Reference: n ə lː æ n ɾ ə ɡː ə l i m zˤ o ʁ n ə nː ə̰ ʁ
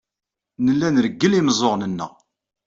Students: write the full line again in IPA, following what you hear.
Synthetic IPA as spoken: n ə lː æ n ɾ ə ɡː ə l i m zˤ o ʁ n ə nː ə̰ ʁ